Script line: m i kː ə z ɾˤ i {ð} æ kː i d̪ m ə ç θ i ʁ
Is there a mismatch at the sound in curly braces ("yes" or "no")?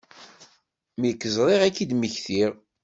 yes